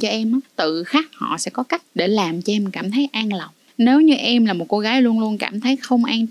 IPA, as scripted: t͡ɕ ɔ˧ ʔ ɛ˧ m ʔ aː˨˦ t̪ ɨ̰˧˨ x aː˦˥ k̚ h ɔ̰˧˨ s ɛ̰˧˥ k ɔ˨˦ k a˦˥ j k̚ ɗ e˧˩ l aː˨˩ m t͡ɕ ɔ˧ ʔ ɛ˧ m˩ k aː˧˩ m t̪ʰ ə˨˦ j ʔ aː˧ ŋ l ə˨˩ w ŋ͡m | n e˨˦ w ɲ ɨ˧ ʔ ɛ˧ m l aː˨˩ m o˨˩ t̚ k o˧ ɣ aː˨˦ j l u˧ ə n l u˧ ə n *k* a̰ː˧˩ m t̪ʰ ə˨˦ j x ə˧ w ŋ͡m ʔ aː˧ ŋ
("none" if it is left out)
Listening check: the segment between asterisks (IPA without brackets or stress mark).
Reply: k